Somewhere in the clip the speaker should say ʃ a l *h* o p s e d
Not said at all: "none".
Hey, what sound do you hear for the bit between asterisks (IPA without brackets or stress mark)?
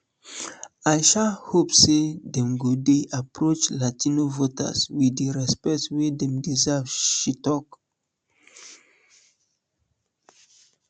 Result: h